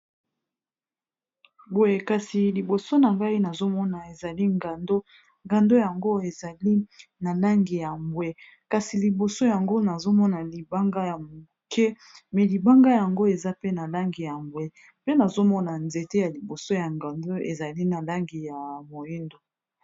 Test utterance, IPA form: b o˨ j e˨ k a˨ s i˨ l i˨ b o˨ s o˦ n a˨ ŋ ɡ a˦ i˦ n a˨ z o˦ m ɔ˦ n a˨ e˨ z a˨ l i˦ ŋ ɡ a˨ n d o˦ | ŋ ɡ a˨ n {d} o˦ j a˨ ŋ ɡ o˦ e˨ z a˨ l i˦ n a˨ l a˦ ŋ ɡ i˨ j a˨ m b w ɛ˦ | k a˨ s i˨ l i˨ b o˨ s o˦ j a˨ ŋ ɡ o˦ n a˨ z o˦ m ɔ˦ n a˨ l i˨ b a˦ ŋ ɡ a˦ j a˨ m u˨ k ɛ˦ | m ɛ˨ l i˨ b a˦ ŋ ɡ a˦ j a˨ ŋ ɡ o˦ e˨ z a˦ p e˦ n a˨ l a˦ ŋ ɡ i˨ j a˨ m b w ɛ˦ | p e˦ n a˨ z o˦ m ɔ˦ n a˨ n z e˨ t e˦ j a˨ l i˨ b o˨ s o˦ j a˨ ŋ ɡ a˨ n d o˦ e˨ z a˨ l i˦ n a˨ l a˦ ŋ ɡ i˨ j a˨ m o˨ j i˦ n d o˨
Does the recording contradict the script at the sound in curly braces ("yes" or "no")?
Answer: no